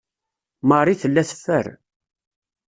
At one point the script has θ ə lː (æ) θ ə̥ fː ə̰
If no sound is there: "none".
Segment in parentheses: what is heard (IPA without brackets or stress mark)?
æ